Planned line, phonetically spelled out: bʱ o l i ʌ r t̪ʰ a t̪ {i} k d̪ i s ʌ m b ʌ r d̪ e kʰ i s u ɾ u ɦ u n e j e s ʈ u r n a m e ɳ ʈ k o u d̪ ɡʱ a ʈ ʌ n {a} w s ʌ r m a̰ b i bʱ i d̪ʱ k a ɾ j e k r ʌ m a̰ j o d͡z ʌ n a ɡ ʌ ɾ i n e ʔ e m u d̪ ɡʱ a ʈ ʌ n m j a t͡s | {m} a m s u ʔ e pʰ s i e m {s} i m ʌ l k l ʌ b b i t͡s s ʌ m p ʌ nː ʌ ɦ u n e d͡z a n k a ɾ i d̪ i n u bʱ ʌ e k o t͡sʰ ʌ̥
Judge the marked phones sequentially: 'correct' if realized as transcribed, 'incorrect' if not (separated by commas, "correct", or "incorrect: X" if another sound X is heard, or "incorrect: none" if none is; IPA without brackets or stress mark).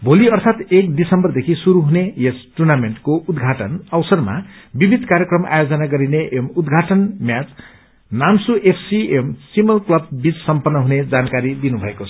incorrect: e, incorrect: ʌ, incorrect: n, correct